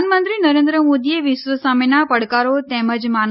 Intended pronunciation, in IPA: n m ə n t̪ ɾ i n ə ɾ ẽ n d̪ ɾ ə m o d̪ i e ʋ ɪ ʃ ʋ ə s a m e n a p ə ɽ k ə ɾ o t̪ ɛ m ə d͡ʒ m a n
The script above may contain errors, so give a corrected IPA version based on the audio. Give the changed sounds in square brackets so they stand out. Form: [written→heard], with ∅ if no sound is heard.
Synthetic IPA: n m ə n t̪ ɾ i n ə ɾ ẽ n d̪ ɾ ə m o d̪ i e ʋ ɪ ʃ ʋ ə s a m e n a p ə ɽ k [ə→a] ɾ o t̪ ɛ m ə d͡ʒ m a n